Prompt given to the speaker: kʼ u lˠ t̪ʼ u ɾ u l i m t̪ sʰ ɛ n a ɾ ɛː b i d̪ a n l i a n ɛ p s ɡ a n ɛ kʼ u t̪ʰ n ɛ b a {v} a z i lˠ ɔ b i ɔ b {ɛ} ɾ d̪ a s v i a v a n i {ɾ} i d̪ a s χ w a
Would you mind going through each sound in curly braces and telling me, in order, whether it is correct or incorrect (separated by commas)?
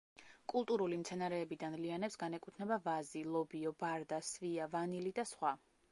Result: correct, incorrect, incorrect